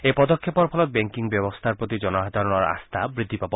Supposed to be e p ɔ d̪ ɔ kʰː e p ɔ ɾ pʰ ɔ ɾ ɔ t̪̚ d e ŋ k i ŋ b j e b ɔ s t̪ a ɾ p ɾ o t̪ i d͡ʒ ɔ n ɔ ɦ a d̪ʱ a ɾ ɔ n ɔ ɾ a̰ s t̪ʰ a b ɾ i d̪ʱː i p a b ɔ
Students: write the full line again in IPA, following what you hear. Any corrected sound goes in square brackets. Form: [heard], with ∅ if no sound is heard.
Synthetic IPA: e p ɔ d̪ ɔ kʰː e p ɔ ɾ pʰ ɔ [l] ɔ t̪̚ [b] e ŋ k i ŋ b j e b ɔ s [t̪ʰ] a ɾ p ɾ o t̪ i d͡ʒ ɔ n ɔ ɦ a d̪ʱ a ɾ ɔ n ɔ ɾ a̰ s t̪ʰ a b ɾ i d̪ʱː i p a b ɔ